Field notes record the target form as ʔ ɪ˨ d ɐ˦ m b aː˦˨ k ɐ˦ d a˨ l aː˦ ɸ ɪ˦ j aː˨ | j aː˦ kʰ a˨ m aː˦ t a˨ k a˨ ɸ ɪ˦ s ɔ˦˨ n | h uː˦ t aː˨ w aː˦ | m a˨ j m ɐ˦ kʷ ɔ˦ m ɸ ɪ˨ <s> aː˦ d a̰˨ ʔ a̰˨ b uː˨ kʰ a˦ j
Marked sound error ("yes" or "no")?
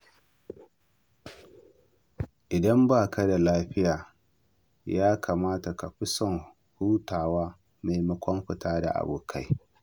yes